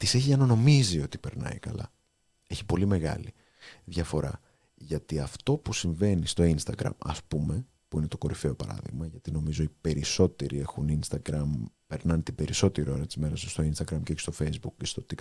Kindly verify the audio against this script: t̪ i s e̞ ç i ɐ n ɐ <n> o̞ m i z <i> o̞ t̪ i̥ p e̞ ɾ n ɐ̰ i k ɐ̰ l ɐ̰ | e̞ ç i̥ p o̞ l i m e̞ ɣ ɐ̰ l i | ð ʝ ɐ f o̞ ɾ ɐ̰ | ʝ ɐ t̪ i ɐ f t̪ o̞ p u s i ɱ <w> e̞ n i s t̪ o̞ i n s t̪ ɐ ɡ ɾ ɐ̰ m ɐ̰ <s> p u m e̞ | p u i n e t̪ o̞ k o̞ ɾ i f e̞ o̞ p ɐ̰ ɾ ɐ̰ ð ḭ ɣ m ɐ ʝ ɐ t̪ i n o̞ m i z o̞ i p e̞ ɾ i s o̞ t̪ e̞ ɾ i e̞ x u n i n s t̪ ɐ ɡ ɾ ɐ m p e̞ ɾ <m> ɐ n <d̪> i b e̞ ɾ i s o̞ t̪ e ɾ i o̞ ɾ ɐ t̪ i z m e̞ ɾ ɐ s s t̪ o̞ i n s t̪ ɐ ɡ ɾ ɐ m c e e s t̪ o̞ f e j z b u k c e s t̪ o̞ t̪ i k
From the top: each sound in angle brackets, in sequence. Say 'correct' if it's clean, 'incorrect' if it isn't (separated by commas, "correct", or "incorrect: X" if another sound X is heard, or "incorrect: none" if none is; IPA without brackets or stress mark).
correct, correct, incorrect: v, correct, incorrect: n, incorrect: t̪